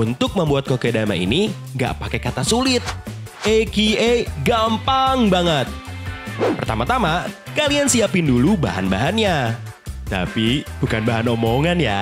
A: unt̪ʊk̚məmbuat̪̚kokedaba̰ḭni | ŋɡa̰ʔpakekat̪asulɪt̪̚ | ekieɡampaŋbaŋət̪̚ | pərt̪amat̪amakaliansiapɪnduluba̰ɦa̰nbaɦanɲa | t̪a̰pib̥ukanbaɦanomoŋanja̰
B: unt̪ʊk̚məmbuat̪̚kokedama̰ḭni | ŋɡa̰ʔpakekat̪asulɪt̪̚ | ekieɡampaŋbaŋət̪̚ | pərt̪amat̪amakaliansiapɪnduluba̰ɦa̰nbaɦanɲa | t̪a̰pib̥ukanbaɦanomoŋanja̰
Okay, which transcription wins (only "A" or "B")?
B